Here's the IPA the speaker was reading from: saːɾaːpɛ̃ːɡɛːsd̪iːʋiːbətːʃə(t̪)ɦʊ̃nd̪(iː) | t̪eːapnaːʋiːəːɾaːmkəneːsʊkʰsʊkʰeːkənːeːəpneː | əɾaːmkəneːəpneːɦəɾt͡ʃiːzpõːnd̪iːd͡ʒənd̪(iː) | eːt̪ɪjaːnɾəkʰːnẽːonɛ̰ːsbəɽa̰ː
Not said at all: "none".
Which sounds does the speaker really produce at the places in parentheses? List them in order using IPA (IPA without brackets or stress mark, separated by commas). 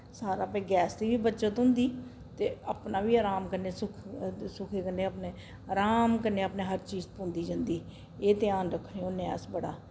t̪, iː, iː